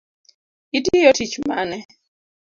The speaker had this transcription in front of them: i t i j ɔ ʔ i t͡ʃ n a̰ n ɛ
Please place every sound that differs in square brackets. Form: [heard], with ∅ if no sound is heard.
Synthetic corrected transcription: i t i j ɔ [t] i t͡ʃ [m] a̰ n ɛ